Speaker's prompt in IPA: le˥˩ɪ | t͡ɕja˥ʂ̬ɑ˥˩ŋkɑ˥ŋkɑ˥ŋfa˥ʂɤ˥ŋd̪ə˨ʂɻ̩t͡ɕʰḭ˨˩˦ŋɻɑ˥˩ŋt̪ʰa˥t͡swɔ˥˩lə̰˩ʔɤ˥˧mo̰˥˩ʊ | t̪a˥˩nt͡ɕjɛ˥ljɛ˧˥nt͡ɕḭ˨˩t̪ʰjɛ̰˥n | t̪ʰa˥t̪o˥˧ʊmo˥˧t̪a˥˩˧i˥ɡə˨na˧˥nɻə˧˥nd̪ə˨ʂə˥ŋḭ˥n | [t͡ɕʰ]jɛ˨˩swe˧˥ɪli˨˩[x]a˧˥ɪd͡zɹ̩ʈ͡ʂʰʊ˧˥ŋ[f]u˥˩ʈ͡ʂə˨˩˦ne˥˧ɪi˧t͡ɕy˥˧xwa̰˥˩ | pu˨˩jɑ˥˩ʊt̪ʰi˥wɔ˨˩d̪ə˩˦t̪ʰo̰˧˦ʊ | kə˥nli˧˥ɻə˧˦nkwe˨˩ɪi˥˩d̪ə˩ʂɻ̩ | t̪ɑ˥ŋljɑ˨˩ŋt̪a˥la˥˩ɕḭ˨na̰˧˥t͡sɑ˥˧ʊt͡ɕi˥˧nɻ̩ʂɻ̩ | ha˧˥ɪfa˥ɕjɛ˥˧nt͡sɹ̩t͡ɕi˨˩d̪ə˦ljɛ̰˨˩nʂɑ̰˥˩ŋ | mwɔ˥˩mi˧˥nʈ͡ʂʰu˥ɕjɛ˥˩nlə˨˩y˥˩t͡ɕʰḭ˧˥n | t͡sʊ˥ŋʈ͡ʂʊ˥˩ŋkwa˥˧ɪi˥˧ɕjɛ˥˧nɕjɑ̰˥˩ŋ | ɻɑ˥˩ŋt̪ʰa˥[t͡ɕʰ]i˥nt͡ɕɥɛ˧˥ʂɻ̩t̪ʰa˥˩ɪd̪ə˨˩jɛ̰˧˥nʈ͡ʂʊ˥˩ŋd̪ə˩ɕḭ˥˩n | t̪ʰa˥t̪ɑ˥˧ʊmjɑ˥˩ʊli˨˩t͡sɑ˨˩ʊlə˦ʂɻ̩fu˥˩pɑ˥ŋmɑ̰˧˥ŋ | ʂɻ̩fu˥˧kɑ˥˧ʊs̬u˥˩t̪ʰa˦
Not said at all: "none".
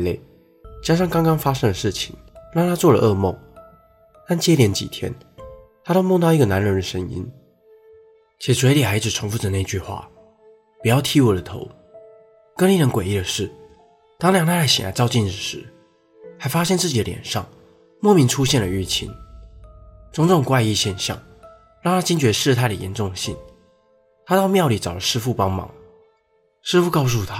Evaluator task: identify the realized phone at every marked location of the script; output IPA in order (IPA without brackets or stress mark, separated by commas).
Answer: t͡ɕʰ, x, f, t͡ɕ